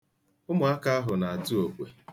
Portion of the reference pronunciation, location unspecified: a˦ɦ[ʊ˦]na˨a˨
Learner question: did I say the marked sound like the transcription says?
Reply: no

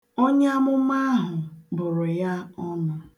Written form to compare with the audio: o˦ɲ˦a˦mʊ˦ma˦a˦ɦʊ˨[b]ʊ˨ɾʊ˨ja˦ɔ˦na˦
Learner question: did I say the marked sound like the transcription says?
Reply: yes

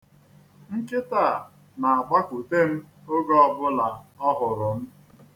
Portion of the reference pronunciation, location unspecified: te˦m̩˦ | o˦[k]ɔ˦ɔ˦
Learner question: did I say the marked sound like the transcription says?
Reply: no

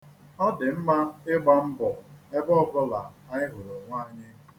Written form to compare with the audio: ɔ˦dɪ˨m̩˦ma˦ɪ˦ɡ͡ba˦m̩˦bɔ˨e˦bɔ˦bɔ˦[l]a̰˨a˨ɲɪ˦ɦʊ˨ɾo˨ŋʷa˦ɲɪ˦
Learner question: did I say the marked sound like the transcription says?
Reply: yes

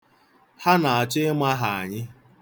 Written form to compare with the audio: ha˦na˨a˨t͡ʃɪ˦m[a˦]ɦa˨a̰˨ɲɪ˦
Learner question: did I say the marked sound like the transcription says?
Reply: yes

